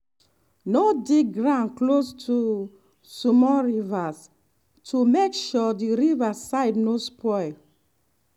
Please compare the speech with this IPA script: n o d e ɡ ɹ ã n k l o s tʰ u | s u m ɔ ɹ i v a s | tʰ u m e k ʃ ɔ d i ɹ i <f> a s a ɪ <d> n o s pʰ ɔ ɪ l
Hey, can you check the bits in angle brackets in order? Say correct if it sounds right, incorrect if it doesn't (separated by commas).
incorrect, correct